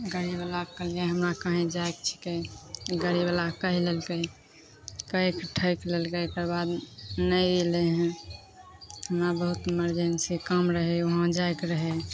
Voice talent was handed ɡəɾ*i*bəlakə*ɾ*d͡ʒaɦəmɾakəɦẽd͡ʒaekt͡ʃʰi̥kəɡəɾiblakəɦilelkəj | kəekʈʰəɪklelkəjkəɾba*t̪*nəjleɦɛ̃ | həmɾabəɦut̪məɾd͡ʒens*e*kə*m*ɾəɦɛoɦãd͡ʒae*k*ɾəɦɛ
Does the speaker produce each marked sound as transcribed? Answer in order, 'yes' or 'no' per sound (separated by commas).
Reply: yes, no, no, no, yes, yes